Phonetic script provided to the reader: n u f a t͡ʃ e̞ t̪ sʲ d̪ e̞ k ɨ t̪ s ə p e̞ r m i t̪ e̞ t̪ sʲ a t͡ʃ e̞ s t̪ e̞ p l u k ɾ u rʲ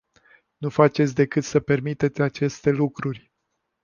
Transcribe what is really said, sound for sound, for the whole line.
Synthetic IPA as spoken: n u f a t͡ʃ e̞ t̪ sʲ d̪ e̞ k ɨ t̪ s ə p e̞ r m i t̪ e̞ t̪ sʲ a t͡ʃ e̞ s t̪ e̞ l u k ɾ u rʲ